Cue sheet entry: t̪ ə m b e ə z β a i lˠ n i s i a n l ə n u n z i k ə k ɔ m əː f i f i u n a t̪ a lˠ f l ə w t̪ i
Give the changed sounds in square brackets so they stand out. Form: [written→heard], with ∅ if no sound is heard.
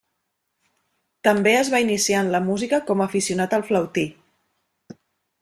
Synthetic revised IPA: t̪ ə m b e ə z β a i [lˠ→∅] n i s i a n l ə [n→m] u [n→∅] z i k ə k ɔ m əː f i [f→s] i u n a t̪ [a→ə] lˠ f l ə w t̪ i